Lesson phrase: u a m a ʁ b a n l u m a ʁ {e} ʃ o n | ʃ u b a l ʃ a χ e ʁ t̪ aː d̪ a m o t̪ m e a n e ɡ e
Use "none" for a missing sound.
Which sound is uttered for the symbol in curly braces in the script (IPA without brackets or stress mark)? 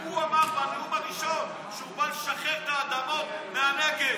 i